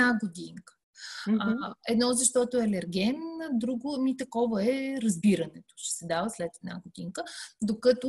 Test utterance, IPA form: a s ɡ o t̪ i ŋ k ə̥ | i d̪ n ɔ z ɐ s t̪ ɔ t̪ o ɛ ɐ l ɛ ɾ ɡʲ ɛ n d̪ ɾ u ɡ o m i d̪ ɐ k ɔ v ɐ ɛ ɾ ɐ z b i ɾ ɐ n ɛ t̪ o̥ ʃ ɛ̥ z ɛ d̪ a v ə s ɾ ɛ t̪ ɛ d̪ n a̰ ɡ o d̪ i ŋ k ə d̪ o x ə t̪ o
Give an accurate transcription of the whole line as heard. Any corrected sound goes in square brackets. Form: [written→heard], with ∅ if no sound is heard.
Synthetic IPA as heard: a [s→∅] ɡ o [t̪→d̪] i ŋ k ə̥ | [i→ɛ] d̪ n ɔ z ɐ [s→ʃ] t̪ ɔ t̪ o ɛ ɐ l ɛ ɾ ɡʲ ɛ n d̪ ɾ u ɡ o m i [d̪→t̪] ɐ k ɔ v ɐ ɛ ɾ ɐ z b i ɾ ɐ n ɛ t̪ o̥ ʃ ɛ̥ [z→s] ɛ d̪ a v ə s [ɾ→l] ɛ t̪ ɛ d̪ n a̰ ɡ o d̪ i ŋ k ə d̪ o [x→k] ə t̪ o